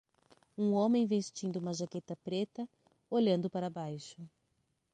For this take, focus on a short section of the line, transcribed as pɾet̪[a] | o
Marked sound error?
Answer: yes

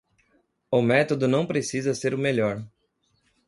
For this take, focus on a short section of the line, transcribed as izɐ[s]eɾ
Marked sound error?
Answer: no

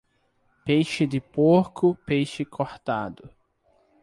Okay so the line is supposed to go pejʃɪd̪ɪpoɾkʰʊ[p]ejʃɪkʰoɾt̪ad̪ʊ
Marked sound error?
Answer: no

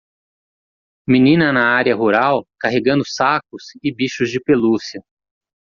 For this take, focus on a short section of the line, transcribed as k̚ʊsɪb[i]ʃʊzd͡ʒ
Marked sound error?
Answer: no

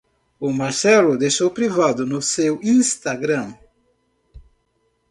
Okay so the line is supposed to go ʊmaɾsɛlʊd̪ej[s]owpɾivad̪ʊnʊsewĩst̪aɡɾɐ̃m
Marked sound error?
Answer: yes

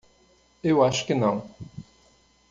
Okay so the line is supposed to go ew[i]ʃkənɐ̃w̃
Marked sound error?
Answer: yes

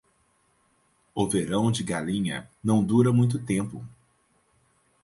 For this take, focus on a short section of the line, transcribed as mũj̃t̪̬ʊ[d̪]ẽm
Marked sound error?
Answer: yes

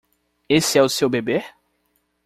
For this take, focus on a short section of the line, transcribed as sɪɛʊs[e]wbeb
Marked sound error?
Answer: no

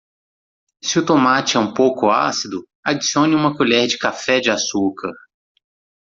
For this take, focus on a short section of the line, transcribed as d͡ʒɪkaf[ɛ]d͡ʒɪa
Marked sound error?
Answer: no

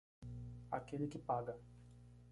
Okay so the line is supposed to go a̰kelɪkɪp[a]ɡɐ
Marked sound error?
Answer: no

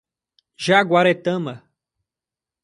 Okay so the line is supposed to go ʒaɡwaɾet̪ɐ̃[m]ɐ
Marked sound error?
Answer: no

